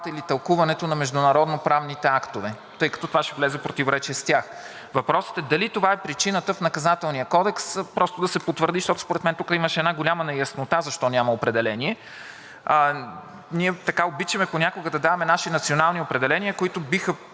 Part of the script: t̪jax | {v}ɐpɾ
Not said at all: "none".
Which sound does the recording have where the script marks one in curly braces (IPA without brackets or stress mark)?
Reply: v